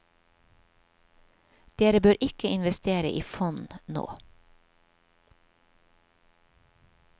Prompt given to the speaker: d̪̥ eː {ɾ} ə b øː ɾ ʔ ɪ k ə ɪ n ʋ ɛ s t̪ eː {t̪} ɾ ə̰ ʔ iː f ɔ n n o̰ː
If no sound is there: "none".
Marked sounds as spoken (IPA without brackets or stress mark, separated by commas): ɾ, none